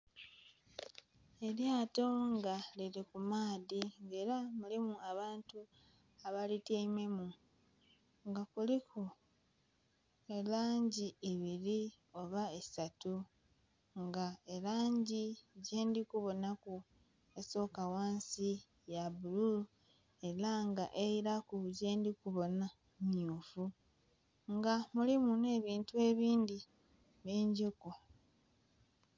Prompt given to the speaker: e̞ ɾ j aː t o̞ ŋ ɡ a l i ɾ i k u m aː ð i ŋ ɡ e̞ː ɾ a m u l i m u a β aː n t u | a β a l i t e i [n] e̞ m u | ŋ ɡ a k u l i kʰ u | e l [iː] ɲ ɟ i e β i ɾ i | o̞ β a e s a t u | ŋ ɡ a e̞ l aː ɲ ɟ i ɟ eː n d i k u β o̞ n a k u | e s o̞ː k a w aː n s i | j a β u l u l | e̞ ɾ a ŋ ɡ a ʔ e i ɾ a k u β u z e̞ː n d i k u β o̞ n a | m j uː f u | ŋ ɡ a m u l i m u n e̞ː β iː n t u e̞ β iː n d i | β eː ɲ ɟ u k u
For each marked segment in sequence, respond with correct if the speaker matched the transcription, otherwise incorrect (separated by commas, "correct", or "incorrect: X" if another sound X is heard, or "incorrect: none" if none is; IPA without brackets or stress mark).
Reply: incorrect: m, incorrect: aː